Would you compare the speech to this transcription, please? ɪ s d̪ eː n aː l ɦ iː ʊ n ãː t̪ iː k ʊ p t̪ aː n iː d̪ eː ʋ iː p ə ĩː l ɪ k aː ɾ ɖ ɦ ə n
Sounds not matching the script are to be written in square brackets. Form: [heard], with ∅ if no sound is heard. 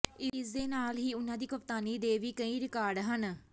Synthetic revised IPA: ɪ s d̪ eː n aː l ɦ iː ʊ n ãː [d̪] iː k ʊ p t̪ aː n iː d̪ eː ʋ iː [k] ə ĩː [ɾ] ɪ k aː ɾ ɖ ɦ ə n